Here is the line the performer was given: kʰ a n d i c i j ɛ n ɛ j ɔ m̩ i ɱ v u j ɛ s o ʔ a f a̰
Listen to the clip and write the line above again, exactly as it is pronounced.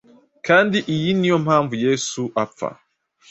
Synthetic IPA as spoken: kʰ a n d i ʔ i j i n i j ɔ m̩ a ɱ v u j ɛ s u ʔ a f a̰